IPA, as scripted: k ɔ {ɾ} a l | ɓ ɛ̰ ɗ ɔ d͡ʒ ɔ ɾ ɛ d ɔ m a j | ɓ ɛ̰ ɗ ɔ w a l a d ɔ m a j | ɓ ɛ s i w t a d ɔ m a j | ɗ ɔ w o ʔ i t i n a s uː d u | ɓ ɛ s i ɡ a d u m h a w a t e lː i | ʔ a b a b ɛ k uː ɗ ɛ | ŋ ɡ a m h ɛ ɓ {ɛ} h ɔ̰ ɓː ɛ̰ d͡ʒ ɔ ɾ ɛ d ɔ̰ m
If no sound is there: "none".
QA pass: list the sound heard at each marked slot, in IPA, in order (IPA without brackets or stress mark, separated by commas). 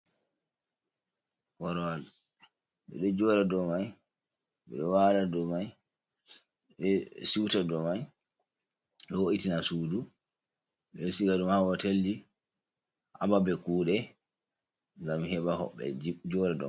ɾ, a